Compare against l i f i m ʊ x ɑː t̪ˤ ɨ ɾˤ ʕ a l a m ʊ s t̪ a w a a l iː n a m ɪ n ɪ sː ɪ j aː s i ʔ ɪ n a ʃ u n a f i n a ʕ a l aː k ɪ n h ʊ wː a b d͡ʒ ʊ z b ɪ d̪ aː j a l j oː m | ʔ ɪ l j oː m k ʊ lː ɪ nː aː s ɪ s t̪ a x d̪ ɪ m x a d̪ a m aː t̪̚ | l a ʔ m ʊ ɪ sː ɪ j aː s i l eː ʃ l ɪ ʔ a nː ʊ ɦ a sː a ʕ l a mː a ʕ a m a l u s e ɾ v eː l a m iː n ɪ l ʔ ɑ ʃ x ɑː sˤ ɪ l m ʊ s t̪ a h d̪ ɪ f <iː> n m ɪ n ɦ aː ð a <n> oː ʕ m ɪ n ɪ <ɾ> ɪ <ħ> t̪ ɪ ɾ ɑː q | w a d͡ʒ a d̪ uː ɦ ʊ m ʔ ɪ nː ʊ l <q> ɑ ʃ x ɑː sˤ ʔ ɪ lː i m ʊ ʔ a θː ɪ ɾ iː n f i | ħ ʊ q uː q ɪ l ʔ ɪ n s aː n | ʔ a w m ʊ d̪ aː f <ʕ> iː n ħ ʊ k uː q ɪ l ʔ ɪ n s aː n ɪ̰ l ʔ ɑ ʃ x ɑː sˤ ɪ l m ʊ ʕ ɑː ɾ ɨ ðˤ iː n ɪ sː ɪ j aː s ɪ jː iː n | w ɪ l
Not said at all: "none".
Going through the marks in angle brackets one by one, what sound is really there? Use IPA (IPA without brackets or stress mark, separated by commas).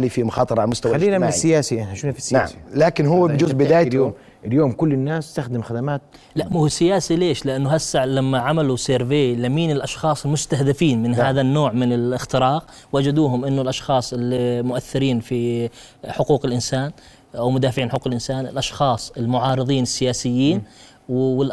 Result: iː, nː, l, x, ʔ, ʕ